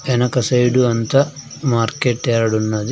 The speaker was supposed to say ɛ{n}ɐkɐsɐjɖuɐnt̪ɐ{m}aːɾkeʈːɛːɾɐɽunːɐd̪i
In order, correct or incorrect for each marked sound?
correct, correct

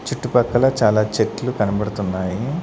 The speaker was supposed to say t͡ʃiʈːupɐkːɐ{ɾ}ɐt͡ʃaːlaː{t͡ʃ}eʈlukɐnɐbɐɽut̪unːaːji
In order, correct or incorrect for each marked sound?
incorrect: l, correct

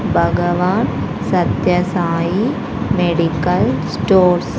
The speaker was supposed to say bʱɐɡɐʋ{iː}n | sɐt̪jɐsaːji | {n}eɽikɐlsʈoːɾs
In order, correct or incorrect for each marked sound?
incorrect: aː, incorrect: m

